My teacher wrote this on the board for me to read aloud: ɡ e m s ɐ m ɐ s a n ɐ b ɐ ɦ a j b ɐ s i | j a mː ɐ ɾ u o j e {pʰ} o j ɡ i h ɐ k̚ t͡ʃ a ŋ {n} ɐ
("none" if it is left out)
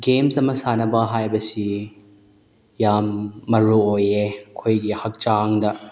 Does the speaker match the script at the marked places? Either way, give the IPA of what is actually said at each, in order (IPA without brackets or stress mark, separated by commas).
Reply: kʰ, d